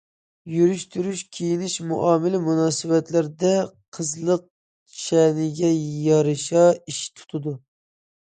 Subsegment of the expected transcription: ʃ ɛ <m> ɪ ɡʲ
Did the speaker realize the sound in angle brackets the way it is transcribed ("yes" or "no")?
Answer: no